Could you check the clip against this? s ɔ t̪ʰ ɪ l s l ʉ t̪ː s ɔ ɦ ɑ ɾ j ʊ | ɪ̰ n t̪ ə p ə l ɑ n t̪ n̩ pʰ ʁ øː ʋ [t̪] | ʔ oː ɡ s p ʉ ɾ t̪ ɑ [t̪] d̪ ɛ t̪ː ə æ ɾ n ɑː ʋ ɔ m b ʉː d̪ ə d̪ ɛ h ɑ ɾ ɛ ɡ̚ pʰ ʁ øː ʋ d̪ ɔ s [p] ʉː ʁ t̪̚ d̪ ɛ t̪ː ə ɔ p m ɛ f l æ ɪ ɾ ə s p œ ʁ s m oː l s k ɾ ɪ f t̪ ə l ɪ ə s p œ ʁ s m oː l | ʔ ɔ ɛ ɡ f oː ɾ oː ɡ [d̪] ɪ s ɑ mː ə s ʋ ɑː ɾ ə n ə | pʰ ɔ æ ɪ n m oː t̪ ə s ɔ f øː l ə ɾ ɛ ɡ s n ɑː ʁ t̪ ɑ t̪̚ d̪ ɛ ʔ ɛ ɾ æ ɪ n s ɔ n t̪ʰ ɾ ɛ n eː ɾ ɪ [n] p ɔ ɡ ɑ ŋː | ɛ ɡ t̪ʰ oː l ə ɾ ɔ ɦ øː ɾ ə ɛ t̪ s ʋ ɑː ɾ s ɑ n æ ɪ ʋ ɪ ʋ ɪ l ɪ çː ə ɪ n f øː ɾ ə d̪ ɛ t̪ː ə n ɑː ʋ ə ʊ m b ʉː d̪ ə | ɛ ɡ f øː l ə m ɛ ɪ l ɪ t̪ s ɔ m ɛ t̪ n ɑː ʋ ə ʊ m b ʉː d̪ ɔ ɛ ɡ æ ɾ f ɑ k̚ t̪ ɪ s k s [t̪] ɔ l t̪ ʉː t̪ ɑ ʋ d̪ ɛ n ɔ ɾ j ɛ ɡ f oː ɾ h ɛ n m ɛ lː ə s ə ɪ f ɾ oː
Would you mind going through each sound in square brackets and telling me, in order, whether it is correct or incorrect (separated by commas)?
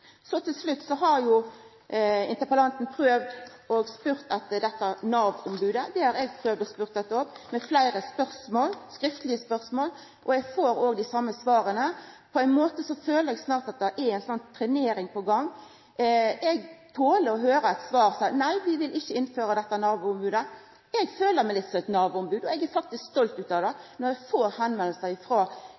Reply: incorrect, correct, correct, correct, incorrect, correct